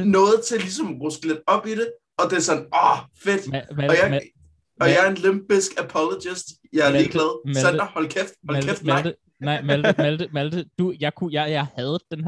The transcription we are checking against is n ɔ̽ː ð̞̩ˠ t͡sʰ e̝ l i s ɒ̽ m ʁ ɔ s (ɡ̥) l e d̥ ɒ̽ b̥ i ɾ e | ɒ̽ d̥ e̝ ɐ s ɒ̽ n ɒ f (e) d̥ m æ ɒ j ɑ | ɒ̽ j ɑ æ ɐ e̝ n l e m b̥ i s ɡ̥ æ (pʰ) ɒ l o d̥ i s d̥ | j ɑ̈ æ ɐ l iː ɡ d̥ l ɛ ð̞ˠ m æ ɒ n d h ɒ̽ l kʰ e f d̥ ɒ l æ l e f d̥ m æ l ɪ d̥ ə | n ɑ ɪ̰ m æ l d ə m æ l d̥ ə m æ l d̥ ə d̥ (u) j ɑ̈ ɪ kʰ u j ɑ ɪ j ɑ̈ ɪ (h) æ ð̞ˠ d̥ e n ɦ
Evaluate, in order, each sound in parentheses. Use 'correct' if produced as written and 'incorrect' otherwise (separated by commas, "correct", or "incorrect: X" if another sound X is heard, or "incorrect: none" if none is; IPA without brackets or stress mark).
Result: correct, correct, correct, correct, correct